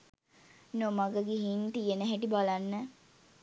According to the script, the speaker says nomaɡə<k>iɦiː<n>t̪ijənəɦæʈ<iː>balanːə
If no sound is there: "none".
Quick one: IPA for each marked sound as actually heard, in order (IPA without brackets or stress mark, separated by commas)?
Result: ɡ, n, i